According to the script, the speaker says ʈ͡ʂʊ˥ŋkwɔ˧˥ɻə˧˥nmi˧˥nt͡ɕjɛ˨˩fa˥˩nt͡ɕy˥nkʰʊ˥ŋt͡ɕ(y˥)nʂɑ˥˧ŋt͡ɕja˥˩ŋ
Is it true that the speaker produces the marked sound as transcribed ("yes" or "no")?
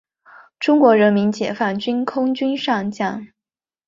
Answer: yes